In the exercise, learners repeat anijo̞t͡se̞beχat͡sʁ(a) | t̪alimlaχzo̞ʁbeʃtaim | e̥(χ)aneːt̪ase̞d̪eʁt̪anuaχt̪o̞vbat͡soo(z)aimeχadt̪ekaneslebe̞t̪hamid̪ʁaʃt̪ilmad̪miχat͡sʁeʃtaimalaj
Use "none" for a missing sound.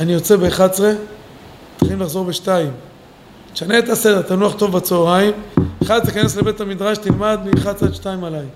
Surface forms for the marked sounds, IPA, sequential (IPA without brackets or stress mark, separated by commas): e, ʃ, ʁ